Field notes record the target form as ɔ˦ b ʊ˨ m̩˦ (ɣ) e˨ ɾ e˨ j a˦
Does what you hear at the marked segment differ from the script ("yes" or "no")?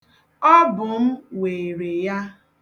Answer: yes